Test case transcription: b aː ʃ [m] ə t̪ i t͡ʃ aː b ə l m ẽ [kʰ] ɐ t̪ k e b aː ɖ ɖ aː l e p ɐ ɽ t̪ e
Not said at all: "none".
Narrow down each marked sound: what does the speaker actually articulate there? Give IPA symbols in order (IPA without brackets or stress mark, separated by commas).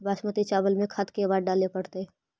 m, kʰ